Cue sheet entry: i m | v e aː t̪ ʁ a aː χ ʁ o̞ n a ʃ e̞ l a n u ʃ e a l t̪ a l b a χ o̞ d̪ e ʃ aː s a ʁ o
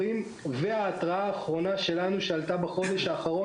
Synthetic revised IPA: i m | v e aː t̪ ʁ a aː χ ʁ o̞ n a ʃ e̞ l a n u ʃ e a l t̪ a b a χ o̞ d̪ e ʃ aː χ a ʁ o